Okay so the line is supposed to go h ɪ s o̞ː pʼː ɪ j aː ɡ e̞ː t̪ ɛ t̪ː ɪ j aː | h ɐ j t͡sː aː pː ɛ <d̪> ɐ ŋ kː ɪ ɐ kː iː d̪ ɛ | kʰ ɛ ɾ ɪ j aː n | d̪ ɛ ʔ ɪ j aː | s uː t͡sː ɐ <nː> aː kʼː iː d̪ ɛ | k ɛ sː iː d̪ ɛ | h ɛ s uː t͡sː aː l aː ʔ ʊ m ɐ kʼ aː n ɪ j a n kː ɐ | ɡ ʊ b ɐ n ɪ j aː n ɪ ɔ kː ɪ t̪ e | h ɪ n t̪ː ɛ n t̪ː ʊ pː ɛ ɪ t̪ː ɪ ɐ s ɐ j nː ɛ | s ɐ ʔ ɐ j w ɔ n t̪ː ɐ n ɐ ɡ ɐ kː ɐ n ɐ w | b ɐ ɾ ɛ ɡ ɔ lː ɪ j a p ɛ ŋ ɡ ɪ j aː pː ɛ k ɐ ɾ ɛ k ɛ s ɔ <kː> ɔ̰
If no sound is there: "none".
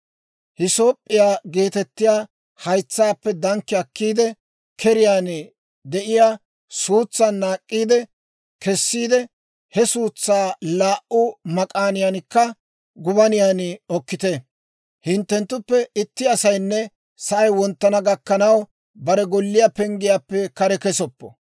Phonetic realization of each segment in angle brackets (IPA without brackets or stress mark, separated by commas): d̪, nː, pː